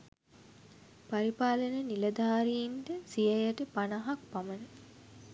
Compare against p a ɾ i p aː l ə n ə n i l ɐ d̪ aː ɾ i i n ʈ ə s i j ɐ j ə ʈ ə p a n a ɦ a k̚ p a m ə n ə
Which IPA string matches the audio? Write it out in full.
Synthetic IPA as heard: p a ɾ i p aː l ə n ə n i l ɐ d̪ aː ɾ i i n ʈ ə s i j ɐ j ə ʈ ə p a n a ɦ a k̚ p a m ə n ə